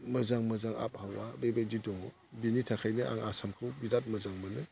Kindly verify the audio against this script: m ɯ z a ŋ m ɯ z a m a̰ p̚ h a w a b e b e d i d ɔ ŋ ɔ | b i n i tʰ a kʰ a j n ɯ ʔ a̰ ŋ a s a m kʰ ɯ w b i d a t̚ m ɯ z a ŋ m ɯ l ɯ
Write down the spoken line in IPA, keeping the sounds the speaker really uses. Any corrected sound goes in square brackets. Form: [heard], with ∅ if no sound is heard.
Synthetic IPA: m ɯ z a ŋ m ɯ z a [ŋ] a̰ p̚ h a w a b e b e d i d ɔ ŋ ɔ | b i n i tʰ a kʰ a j n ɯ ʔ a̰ ŋ a s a m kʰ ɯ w b i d a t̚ m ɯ z a ŋ m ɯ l ɯ